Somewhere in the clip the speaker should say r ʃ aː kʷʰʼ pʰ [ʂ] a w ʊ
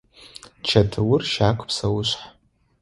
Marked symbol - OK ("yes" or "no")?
no